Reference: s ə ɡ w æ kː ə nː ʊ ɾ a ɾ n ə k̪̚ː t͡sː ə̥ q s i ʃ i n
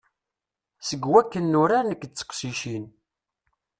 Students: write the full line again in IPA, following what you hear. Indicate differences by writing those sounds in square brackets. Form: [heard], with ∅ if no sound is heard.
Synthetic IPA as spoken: s ə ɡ w æ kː ə nː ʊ ɾ a ɾ n ə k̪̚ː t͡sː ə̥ q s i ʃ i n

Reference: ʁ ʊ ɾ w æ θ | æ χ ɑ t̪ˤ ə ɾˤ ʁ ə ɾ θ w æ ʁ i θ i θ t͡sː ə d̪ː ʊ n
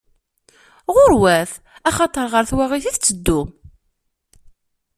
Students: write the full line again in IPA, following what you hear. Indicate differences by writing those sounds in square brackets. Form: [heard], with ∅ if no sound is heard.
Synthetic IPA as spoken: ʁ ʊ ɾ w æ θ | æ χ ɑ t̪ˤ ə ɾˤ ʁ ə ɾ θ w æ ʁ i θ i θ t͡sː ə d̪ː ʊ [m]

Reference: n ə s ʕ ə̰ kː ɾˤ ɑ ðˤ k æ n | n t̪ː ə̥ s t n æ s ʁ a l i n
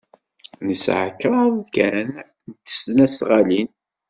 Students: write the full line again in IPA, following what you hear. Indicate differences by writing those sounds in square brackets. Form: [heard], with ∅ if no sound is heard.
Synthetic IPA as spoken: n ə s ʕ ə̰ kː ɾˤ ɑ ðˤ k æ n | n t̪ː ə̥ s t n æ s ʁ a l i n

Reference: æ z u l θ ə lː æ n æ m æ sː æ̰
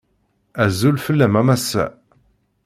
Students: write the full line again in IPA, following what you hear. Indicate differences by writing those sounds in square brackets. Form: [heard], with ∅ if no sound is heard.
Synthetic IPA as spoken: æ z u l [f] ə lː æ [m] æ m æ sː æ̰

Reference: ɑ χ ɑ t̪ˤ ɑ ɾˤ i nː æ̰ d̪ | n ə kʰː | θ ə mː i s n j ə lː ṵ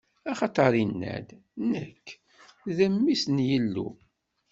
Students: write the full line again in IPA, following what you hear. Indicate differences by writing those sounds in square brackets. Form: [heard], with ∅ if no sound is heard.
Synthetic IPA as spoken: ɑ χ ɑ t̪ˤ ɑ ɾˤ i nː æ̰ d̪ | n ə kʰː | [ð] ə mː i s n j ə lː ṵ

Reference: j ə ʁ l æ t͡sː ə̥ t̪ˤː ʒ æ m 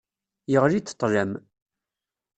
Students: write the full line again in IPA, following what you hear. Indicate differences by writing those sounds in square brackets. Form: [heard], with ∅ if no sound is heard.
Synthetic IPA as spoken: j ə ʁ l [i] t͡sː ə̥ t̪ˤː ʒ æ m

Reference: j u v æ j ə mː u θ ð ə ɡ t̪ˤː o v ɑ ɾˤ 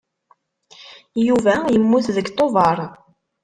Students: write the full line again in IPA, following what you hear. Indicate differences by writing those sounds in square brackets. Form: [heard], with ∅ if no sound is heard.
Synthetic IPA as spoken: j u v æ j ə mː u θ ð ə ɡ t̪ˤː o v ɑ ɾˤ

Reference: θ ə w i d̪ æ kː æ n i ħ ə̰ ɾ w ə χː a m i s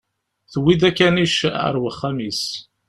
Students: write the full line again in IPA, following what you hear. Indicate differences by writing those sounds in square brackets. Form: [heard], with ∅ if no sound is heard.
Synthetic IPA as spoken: θ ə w i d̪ æ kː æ n i [ʃ] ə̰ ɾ w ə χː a m i s

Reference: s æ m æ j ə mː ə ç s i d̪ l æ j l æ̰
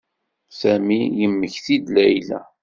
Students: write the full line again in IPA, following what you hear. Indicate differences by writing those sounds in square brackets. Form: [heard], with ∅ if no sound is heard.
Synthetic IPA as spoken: s æ m [i] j ə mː ə ç [θ] i d̪ l æ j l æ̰

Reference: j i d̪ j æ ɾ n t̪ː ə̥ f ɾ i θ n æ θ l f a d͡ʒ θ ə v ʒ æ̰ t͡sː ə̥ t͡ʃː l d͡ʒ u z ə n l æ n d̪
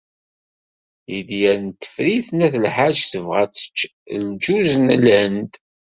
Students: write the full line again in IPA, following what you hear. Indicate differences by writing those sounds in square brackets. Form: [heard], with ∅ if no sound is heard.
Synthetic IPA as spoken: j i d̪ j æ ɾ n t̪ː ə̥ f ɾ i θ n æ θ l [ħ] a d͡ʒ θ ə v [ʁ] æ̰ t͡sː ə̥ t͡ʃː l d͡ʒ u z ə n l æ n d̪

